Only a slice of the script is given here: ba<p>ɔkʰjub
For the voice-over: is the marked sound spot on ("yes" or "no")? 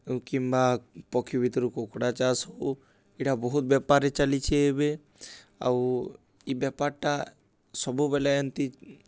yes